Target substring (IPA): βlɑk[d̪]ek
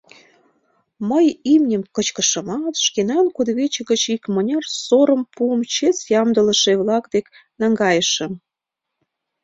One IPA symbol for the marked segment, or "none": d̪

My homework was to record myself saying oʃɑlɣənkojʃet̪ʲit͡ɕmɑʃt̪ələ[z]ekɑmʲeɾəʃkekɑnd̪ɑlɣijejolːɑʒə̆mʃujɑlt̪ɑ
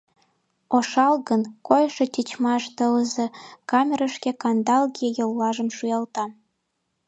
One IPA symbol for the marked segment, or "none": z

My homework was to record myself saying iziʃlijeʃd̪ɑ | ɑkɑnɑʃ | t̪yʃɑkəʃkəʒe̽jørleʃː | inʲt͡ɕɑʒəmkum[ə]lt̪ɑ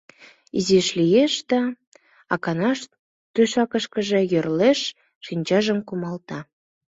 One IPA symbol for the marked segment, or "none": ɑ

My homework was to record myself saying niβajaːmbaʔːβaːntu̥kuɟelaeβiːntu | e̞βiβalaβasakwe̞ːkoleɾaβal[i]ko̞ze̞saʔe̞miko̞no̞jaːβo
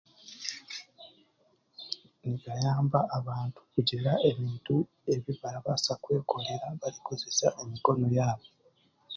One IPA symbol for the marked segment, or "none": i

